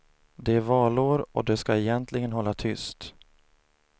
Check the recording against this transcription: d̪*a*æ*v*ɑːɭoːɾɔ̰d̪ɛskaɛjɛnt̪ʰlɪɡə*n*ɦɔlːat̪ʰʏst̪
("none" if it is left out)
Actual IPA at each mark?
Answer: ɛ, v, n

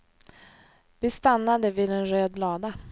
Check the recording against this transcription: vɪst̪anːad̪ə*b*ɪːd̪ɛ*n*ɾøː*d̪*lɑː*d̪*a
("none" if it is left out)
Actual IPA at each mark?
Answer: v, n, d̪, d̪

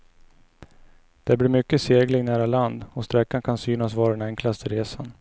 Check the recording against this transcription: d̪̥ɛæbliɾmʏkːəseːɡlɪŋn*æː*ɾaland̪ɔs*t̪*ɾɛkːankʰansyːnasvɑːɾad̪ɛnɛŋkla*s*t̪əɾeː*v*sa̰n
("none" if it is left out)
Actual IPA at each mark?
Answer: æː, t̪, s, none

